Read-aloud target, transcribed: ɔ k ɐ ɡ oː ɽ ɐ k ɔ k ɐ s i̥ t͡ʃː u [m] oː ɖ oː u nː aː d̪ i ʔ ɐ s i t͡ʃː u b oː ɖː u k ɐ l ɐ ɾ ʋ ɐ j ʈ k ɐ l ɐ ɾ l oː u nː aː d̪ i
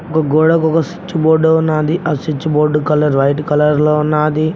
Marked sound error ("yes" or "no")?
yes